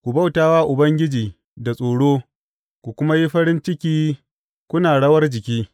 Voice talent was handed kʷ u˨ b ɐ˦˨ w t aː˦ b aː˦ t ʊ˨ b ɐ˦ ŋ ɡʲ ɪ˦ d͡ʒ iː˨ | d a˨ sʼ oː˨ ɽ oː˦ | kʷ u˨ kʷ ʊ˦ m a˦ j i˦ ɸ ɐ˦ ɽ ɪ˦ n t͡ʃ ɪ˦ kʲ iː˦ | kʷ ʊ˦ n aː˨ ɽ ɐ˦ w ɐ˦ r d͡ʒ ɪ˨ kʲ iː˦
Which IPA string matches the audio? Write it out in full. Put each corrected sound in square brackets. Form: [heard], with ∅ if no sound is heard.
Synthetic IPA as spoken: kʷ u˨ b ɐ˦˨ w t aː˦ [w] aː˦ [ʔ] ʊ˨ b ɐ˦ ŋ ɡʲ ɪ˦ d͡ʒ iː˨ | d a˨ sʼ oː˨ ɽ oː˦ | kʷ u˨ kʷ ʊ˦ m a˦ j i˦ ɸ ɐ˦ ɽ ɪ˦ n t͡ʃ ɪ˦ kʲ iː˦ | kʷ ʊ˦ n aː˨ ɽ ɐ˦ w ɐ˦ r d͡ʒ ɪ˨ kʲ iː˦

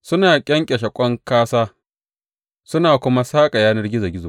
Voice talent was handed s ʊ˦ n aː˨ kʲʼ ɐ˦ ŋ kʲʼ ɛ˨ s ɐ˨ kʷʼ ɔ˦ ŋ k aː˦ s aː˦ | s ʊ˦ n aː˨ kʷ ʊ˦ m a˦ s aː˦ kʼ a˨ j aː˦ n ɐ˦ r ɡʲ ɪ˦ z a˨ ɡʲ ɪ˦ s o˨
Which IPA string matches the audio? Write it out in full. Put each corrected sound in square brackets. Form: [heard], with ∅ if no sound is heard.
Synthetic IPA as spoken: s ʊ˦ n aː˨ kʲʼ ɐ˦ ŋ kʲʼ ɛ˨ [ʃ] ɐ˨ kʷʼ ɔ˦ ŋ k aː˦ s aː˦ | s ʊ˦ n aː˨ kʷ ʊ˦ m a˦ s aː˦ kʼ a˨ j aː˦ n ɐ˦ r ɡʲ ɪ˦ z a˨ ɡʲ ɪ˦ [z] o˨

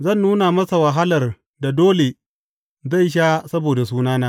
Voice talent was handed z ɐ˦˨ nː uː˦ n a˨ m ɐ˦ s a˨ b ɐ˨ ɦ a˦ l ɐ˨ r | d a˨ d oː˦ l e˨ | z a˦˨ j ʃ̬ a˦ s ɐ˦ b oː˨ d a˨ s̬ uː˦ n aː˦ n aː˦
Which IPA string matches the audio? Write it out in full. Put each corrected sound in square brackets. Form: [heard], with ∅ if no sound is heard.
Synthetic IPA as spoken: z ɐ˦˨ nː uː˦ n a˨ m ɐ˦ s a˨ [w] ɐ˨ ɦ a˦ l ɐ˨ r | d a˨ d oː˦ l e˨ | z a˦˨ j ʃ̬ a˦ s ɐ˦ b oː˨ d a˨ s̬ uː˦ n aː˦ n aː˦

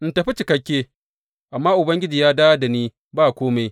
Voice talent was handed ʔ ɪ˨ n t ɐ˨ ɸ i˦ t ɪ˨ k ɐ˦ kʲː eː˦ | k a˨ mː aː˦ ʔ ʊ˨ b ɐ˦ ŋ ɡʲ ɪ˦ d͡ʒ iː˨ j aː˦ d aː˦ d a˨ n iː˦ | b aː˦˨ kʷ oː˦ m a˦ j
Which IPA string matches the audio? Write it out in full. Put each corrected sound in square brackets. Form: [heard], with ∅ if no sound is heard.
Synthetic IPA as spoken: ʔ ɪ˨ n t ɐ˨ ɸ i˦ [t͡ʃ] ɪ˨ k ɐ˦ kʲː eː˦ | [ʔ] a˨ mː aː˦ ʔ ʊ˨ b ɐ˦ ŋ ɡʲ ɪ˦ d͡ʒ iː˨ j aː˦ d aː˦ d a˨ n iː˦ | b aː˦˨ kʷ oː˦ m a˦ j

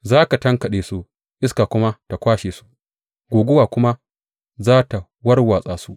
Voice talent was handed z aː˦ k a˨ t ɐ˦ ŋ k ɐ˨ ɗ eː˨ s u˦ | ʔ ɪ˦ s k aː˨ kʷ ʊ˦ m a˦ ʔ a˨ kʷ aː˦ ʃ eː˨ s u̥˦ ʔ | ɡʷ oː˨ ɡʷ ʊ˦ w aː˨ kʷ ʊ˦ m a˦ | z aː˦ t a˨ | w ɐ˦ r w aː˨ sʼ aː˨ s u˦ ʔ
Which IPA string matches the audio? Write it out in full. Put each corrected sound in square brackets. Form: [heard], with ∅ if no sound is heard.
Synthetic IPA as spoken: z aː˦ k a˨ t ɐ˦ ŋ k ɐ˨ ɗ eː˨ s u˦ | ʔ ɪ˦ s k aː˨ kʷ ʊ˦ m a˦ [t] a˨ kʷ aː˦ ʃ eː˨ s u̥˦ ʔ | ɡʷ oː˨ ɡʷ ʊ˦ w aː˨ kʷ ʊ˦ m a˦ | z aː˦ t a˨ | w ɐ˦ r w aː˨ sʼ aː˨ s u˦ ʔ

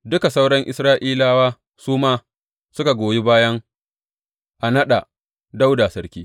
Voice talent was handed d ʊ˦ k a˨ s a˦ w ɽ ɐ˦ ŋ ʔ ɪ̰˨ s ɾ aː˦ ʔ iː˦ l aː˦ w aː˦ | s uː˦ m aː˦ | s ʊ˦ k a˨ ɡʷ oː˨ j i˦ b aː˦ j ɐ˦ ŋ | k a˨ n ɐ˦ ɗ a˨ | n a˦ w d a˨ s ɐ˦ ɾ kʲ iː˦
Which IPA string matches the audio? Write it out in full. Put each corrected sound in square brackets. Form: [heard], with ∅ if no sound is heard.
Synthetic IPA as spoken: d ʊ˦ k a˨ s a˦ w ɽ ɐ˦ ŋ ʔ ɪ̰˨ s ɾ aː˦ ʔ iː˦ l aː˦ w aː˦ | s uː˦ m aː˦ | s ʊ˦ k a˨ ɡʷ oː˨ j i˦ b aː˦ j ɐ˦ ŋ | [ʔ] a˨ n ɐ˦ ɗ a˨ | [d] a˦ w d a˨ s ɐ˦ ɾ kʲ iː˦

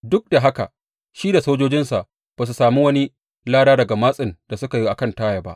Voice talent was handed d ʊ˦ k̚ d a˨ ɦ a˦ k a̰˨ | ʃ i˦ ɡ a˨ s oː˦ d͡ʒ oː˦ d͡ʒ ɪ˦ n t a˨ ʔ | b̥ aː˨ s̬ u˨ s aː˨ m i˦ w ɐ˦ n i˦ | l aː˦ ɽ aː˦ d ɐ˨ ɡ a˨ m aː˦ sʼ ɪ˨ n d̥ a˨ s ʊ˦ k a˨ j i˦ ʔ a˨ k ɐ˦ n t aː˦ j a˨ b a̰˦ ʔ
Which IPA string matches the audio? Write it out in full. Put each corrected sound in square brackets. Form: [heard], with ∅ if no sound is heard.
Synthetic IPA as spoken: d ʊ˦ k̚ d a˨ ɦ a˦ k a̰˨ | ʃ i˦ [d] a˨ s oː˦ d͡ʒ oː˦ d͡ʒ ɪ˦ n [s] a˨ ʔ | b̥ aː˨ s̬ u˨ s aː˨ m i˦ w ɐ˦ n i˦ | l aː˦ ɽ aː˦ d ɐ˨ ɡ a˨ m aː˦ sʼ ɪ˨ n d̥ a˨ s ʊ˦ k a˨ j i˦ ʔ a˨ k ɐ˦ n t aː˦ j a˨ b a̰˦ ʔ

